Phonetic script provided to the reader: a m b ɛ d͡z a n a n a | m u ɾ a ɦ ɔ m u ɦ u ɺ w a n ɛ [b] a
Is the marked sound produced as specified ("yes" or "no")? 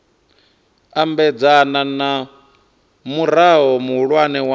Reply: no